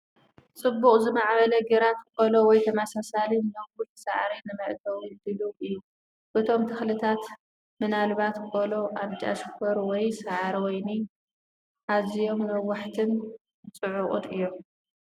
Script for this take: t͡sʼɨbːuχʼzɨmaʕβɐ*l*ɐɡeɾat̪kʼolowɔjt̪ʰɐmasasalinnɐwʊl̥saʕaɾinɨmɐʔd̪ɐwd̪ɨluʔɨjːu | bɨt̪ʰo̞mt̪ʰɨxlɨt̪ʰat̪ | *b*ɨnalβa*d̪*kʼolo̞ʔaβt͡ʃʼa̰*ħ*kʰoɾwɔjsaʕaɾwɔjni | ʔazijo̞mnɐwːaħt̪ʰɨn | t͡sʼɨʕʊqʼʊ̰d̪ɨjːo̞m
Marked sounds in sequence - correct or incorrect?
correct, incorrect: m, incorrect: t̪, incorrect: ʃ

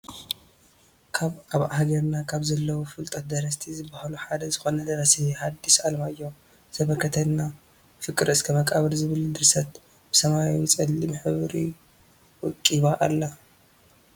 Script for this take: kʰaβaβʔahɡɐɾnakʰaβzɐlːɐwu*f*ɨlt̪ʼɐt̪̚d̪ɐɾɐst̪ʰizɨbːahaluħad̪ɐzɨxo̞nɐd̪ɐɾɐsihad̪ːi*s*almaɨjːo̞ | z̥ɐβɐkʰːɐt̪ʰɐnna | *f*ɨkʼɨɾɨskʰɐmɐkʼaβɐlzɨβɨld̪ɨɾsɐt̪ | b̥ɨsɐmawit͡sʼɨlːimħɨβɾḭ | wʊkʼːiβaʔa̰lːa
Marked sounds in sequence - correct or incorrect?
correct, correct, correct

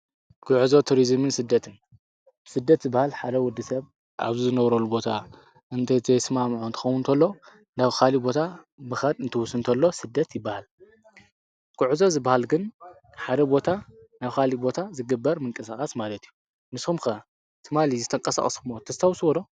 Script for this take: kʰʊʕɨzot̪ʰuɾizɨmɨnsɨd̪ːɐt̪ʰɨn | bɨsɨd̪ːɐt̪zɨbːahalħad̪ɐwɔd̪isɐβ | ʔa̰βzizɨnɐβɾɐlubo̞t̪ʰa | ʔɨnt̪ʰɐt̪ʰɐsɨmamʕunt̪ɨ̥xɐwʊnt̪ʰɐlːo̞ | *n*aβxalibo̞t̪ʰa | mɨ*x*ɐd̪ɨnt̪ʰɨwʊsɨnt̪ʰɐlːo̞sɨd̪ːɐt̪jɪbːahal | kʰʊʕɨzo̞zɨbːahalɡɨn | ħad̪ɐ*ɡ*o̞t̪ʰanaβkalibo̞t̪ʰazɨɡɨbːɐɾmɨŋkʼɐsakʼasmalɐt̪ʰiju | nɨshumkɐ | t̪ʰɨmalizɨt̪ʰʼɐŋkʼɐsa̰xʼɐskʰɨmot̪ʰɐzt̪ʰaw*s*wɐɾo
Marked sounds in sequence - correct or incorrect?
correct, correct, incorrect: b, correct

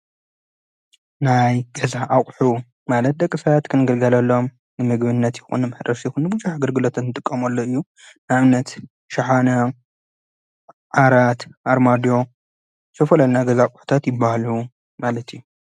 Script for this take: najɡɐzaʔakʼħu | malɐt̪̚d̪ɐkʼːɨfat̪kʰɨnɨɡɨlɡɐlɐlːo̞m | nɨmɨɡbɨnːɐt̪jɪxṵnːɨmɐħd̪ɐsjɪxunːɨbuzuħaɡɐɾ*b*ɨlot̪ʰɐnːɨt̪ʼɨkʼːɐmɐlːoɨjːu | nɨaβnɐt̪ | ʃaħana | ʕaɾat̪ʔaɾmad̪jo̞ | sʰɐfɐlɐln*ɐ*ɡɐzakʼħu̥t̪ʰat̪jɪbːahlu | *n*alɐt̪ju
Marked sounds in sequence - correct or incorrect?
incorrect: ɡ, incorrect: a, incorrect: m

